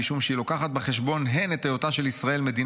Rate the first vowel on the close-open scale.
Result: close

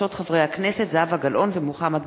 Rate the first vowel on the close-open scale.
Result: mid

